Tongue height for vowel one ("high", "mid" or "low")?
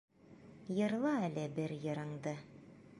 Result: mid